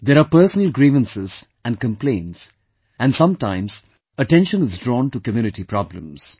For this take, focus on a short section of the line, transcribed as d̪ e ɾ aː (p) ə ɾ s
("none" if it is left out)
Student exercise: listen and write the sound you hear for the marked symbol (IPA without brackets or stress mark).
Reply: p